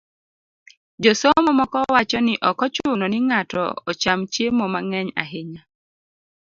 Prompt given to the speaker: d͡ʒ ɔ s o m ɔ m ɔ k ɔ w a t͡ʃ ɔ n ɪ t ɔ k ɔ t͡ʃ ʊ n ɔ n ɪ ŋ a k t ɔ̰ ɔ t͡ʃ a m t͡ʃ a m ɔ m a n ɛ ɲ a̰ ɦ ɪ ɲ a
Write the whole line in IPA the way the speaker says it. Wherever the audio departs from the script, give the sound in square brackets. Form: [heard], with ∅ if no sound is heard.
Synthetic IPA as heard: d͡ʒ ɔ s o m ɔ m ɔ k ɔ w a t͡ʃ ɔ n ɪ [ʔ] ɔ k ɔ t͡ʃ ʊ n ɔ n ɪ ŋ a [∅] t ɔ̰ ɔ t͡ʃ a m t͡ʃ [e] m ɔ m a [ŋ] ɛ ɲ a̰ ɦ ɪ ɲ a